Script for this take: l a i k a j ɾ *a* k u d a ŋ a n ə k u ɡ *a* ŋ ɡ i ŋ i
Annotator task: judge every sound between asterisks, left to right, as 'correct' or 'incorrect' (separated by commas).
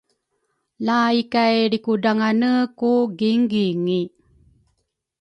incorrect, incorrect